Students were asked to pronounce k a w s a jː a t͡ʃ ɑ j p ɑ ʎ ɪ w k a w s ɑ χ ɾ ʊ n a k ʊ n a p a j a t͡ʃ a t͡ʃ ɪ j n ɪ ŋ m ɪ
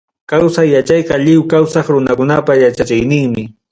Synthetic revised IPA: k a w s a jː a t͡ʃ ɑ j q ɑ ʎ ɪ w k a w s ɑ χ ɾ ʊ n a k ʊ n a p a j a t͡ʃ a t͡ʃ ɪ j n ɪ ŋ m ɪ